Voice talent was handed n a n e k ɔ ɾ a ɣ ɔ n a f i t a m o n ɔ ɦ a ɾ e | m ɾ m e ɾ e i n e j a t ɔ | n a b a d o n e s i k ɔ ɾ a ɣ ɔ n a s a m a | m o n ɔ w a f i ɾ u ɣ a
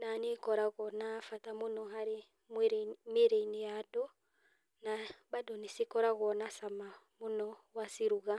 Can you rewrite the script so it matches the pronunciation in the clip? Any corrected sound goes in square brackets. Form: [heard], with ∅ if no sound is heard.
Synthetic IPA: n a n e k ɔ ɾ a ɣ ɔ n a f [a] t a m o n ɔ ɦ a ɾ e | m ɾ m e ɾ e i n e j a [d] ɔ | n a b a d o n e s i k ɔ ɾ a ɣ ɔ n a s a m a | m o n ɔ w a [s] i ɾ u ɣ a